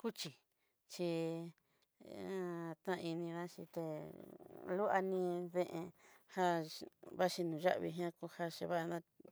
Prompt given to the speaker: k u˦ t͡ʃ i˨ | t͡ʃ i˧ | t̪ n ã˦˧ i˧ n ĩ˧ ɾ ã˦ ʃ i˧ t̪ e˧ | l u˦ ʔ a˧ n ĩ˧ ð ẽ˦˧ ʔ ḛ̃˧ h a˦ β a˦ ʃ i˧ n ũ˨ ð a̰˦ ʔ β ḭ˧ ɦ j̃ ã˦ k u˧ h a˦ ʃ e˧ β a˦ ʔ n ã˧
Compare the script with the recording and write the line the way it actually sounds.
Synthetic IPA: k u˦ t͡ʃ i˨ | t͡ʃ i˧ | t̪ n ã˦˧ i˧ n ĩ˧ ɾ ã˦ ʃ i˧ t̪ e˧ | l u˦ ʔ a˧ n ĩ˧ ð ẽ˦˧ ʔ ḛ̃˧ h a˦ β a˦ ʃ i˧ n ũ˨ ʒ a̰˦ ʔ β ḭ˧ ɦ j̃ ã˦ k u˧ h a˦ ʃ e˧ β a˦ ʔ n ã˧

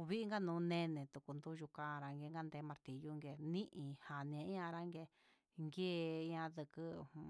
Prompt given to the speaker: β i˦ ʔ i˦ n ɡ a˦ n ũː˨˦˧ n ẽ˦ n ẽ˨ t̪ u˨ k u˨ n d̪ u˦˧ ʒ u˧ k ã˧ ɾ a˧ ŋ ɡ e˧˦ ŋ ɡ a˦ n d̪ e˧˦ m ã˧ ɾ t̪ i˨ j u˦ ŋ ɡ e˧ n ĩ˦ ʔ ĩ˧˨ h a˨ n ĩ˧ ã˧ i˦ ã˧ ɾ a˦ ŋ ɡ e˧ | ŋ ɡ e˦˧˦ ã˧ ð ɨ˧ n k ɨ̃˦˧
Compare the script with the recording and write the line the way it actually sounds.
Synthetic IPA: β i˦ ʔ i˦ ŋ ɡ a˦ n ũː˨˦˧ n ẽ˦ n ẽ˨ t̪ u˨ k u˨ n d̪ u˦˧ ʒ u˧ k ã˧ ɾ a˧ ŋ ɡ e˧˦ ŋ ɡ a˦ n d̪ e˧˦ m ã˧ ɾ t̪ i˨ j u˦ ŋ ɡ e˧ n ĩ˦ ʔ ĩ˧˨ h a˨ n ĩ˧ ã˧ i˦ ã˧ ɾ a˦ ŋ ɡ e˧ | ŋ ɡ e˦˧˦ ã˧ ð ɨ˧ k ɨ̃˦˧

